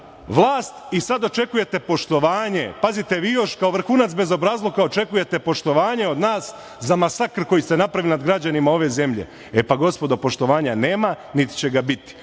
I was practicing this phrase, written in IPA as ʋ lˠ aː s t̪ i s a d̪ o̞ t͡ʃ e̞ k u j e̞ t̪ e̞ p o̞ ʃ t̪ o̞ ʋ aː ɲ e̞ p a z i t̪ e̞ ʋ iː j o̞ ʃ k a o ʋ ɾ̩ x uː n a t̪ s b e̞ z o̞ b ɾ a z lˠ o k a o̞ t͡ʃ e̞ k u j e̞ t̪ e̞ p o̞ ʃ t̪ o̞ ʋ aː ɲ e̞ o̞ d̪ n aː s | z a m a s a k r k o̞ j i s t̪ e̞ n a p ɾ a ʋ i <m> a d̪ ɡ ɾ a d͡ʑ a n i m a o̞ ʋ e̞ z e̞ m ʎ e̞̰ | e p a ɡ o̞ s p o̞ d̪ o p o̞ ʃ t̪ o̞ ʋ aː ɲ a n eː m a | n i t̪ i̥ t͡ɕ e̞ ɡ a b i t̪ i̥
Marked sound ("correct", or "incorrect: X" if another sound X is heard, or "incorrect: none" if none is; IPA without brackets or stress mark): incorrect: n